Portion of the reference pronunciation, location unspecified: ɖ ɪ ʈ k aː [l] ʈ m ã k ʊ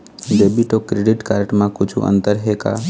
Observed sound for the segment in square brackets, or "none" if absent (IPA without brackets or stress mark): ɾ